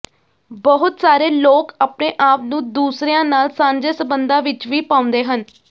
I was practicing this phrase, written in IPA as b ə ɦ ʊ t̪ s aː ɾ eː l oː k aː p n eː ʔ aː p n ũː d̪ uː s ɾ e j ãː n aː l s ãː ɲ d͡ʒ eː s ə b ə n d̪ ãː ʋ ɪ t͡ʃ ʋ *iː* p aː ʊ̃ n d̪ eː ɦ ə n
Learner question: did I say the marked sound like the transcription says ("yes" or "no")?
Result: yes